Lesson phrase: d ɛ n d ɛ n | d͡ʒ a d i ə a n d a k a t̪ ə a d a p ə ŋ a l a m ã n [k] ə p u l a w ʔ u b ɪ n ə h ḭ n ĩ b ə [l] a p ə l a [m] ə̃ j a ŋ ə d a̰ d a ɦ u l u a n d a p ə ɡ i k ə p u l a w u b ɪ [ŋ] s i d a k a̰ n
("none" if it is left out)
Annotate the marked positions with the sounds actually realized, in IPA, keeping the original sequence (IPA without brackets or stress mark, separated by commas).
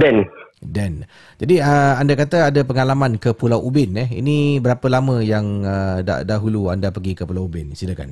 k, ɾ, m, n